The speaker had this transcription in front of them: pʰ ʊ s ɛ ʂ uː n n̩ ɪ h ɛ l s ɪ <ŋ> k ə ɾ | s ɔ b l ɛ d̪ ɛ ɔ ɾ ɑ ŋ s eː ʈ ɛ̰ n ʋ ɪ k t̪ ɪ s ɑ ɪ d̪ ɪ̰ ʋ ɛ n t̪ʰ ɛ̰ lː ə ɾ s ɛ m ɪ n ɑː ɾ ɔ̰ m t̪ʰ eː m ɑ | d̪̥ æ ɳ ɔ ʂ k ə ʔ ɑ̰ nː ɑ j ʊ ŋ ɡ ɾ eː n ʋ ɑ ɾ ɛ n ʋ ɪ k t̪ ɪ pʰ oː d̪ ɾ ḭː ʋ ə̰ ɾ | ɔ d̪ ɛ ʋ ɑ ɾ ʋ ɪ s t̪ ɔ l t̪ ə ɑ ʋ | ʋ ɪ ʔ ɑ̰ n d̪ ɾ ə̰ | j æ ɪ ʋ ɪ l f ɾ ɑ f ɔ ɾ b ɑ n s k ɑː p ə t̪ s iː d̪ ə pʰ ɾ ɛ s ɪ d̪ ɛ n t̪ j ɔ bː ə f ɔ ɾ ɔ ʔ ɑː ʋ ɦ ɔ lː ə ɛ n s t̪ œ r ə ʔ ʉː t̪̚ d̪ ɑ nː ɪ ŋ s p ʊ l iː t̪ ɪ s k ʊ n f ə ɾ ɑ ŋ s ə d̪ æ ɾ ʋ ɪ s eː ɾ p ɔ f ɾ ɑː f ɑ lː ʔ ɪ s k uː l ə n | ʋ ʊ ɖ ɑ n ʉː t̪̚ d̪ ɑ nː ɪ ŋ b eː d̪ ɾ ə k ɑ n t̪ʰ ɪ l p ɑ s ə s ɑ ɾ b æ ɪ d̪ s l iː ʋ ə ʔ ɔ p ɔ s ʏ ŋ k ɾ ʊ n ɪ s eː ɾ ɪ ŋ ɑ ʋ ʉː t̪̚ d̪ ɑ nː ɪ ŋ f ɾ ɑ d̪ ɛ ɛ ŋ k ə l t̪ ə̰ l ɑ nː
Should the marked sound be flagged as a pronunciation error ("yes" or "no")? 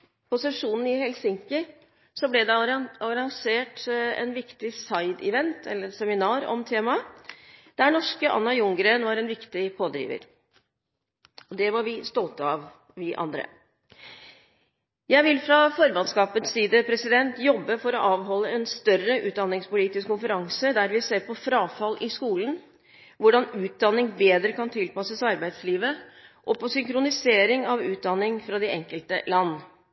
no